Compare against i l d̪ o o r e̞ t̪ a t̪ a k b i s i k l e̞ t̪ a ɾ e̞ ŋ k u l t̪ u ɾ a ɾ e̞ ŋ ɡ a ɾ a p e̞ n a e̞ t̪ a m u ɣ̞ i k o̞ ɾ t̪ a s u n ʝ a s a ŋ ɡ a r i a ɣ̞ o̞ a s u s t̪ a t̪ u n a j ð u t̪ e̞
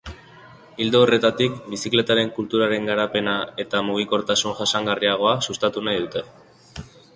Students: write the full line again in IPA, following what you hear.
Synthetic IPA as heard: i l d̪ o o r e̞ t̪ a t̪ i k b i s i k l e̞ t̪ a ɾ e̞ ŋ k u l t̪ u ɾ a ɾ e̞ ŋ ɡ a ɾ a p e̞ n a e̞ t̪ a m u ɣ̞ i k o̞ ɾ t̪ a s u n ʝ a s a ŋ ɡ a r i a ɣ̞ o̞ a s u s t̪ a t̪ u n a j ð u t̪ e̞